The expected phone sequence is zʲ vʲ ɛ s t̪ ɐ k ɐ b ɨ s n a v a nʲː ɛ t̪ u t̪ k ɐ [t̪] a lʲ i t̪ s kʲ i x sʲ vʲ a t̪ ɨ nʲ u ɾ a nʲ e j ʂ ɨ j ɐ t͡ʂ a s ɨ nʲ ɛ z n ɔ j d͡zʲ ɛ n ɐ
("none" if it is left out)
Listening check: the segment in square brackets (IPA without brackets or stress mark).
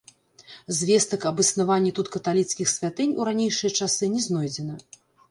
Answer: t̪